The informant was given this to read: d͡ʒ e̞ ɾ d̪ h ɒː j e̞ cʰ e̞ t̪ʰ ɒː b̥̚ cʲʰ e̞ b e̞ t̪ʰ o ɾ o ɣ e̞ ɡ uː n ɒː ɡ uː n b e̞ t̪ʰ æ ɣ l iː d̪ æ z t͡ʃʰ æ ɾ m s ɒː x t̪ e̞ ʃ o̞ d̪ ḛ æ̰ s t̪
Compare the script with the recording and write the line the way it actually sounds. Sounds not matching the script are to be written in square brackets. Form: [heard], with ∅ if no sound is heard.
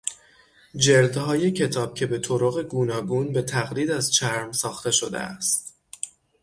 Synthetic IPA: d͡ʒ e̞ ɾ d̪ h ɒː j e̞ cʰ e̞ t̪ʰ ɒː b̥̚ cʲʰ e̞ b e̞ t̪ʰ o ɾ o ɣ e̞ ɡ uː n ɒː ɡ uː n b e̞ t̪ʰ æ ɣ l iː d̪ æ z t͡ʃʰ æ ɾ m s ɒː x t̪ e̞ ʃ o̞ d̪ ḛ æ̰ s t̪